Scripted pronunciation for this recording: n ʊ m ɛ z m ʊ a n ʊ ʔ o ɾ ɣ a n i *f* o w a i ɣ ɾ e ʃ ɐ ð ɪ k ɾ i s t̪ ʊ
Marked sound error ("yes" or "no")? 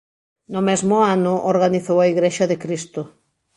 yes